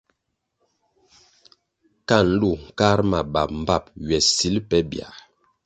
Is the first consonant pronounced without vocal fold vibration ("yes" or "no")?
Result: yes